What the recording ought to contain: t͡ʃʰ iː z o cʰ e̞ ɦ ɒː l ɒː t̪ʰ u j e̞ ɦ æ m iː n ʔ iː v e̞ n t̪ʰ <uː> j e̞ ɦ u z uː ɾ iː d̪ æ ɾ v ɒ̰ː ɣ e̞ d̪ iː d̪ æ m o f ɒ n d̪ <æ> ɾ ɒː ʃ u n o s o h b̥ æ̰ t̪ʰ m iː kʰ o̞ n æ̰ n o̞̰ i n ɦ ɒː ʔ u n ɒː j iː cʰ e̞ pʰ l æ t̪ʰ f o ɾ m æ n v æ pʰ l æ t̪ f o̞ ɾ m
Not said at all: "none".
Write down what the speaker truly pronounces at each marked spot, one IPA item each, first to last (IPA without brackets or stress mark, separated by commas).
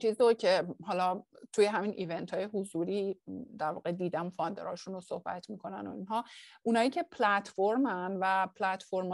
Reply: ɒː, e